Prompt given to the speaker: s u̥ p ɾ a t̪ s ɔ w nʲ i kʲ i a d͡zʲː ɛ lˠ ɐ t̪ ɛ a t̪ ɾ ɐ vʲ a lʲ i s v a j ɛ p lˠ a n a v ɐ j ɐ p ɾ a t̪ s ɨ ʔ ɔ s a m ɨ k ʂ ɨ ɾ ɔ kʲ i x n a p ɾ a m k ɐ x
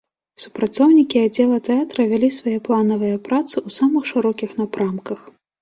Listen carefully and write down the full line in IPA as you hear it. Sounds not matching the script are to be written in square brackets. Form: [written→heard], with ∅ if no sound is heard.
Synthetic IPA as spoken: s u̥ p ɾ a t̪ s ɔ w nʲ i kʲ i a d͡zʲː ɛ lˠ ɐ t̪ ɛ a t̪ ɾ ɐ vʲ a lʲ i s v a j ɛ p lˠ a n [a→ɐ] v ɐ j ɐ p ɾ a t̪ s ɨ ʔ [ɔ→u] s a m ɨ [k→x] ʂ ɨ ɾ ɔ kʲ i x n a p ɾ a m k ɐ x